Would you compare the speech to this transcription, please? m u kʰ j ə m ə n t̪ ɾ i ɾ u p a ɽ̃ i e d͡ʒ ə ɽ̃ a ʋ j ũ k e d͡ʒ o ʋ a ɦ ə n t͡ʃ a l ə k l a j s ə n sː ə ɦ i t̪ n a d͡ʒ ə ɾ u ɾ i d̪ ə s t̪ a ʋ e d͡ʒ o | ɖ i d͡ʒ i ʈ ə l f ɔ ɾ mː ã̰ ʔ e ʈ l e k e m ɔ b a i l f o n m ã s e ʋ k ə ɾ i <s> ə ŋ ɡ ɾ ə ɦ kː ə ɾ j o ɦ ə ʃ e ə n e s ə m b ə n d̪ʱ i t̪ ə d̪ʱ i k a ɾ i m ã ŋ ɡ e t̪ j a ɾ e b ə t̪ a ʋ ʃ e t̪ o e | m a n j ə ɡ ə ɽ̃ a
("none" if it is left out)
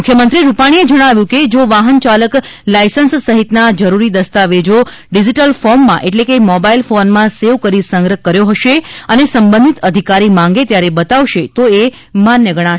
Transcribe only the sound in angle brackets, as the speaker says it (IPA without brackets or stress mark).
s